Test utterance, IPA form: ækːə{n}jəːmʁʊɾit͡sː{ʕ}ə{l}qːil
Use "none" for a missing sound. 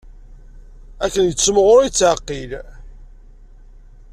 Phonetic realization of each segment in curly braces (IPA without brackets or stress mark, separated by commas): n, ʕ, none